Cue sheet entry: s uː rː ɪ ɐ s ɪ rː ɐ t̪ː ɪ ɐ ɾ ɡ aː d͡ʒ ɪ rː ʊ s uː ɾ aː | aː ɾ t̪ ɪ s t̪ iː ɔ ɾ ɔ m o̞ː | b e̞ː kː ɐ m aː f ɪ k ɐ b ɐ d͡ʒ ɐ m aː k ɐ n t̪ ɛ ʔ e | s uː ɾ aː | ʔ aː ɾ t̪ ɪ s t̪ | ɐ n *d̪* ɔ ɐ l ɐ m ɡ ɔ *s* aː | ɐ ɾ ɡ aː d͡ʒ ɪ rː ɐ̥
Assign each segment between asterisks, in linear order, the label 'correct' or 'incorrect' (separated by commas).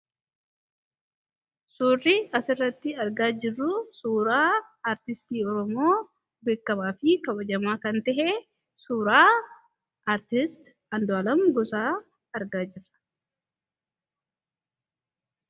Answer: correct, correct